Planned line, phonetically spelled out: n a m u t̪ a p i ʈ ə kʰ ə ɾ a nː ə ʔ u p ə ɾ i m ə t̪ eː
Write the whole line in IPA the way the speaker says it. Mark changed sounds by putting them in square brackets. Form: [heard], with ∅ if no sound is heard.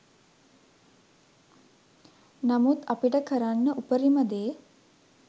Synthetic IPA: n a m u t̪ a p i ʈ ə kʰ ə ɾ a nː ə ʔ u p ə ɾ i m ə [d̪] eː